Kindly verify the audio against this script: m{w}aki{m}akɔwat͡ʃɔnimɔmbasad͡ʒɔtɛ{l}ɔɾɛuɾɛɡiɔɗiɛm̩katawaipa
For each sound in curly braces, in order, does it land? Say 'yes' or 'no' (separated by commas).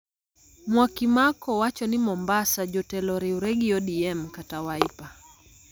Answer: yes, yes, yes